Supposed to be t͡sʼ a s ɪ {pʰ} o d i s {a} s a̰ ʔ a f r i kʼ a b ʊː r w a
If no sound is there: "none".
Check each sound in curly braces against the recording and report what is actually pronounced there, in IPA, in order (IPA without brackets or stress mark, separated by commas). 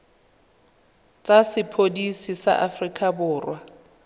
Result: pʰ, i